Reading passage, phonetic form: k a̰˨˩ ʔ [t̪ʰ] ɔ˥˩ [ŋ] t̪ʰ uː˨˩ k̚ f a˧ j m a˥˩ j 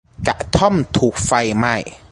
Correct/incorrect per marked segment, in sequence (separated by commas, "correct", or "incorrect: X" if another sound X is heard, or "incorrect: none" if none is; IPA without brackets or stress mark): correct, incorrect: m